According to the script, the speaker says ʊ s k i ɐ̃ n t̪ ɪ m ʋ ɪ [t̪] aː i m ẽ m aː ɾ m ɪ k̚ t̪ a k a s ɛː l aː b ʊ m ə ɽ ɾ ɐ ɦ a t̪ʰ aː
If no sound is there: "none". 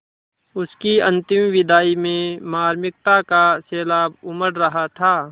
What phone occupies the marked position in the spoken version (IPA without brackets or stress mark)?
d̪